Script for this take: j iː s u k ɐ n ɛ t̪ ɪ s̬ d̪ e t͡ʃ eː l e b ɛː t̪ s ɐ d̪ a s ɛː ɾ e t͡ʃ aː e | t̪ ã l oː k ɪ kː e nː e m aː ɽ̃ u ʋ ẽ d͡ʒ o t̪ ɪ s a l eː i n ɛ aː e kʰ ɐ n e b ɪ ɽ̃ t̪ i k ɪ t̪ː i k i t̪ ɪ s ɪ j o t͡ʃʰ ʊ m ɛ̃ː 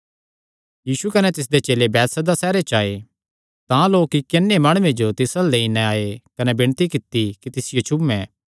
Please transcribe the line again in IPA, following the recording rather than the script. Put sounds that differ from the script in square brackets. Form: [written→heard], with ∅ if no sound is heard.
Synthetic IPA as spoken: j iː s u k ɐ n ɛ t̪ ɪ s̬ d̪ e t͡ʃ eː l e b ɛː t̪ s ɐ d̪ a s ɛː ɾ e t͡ʃ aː e | t̪ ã l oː k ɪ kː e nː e m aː ɽ̃ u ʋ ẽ d͡ʒ o t̪ ɪ s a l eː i n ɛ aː e [kʰ→k] ɐ n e b ɪ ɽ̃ t̪ i k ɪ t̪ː i k i t̪ ɪ s ɪ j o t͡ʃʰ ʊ m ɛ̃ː